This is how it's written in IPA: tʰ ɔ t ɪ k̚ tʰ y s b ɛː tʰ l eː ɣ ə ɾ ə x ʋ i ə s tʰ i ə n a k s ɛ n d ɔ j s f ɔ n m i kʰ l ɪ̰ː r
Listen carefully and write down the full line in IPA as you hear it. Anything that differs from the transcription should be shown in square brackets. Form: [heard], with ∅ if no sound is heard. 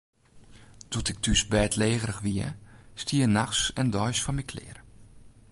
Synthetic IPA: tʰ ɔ t ɪ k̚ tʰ y s b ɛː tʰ l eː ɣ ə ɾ ə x ʋ i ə s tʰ i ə n a [x] s ɛ n d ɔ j s f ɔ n m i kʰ l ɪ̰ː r